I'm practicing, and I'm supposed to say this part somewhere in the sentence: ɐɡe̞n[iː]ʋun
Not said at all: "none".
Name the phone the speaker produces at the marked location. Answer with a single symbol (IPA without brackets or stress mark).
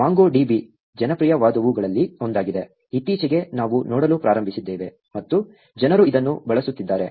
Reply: aː